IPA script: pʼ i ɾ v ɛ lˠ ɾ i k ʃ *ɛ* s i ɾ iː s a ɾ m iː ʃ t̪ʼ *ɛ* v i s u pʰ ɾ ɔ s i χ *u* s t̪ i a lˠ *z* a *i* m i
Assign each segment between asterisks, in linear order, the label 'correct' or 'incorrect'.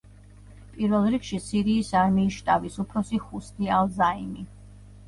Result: incorrect, incorrect, correct, correct, correct

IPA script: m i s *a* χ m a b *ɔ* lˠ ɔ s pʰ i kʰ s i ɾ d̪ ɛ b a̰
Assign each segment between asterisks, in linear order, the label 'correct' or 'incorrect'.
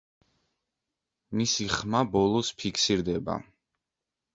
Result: incorrect, correct

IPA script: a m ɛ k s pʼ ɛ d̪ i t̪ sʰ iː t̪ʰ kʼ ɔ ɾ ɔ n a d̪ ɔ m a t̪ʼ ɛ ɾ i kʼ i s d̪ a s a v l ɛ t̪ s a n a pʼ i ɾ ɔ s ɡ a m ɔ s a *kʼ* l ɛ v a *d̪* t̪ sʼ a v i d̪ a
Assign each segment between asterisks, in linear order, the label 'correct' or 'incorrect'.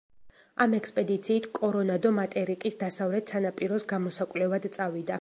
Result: correct, correct

